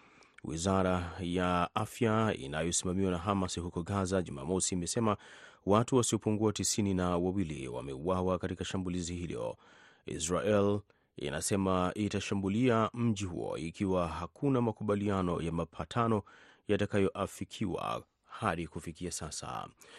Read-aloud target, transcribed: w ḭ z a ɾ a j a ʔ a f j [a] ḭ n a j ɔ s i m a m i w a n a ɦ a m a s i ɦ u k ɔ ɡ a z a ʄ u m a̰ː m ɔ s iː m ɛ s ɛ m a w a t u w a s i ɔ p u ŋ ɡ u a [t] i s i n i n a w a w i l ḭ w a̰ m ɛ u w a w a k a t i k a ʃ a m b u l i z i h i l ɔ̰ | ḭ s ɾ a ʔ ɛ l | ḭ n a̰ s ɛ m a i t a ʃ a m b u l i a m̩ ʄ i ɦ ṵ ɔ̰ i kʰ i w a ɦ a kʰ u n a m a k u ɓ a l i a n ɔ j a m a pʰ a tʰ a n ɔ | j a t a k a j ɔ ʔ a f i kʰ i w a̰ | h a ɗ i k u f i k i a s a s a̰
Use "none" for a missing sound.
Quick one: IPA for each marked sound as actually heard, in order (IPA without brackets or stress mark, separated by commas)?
a, t